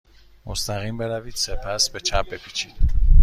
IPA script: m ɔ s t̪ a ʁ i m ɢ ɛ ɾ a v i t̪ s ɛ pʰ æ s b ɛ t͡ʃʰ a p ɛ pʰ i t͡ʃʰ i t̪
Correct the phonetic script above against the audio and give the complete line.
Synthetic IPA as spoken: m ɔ s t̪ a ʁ i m b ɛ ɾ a v i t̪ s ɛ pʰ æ s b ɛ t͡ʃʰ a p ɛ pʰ i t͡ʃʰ i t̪

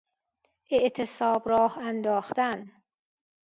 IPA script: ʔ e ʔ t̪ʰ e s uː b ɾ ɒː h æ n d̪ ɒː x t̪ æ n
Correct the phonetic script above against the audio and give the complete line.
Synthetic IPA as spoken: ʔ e ʔ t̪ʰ e s ɒː b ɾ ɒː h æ n d̪ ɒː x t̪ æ n

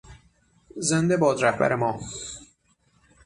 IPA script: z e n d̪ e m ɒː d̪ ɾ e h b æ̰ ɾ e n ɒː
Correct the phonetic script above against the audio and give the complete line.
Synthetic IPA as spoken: z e n d̪ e b ɒː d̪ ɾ æ h b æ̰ ɾ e m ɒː

